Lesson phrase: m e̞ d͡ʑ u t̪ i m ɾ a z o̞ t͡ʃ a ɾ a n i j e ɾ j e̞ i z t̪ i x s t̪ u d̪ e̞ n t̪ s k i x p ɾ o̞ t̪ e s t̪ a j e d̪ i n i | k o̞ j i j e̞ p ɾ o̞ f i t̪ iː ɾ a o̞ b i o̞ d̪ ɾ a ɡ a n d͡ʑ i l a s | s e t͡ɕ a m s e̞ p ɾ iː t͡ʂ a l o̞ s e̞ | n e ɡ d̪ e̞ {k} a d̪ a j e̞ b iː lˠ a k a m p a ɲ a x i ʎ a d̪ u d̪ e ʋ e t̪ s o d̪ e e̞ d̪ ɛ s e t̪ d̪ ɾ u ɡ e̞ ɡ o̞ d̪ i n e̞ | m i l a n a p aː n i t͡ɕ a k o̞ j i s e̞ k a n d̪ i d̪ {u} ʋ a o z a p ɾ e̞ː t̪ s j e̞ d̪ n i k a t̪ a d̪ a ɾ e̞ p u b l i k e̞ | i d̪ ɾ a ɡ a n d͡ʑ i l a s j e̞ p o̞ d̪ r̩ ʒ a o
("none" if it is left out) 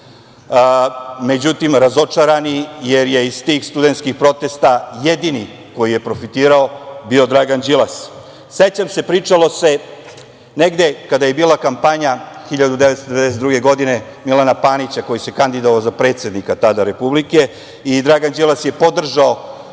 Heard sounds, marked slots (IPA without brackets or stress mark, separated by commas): k, o